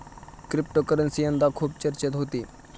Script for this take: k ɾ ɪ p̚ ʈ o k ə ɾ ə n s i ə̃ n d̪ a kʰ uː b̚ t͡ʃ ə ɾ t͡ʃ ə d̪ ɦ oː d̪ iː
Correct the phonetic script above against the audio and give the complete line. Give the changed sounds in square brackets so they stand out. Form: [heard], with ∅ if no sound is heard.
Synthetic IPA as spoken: k ɾ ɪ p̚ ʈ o k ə ɾ ə n s i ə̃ n d̪ a kʰ uː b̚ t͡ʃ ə ɾ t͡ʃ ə [t̪] ɦ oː [t̪] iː